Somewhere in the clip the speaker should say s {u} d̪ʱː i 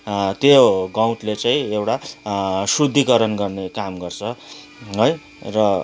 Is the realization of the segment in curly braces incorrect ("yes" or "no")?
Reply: no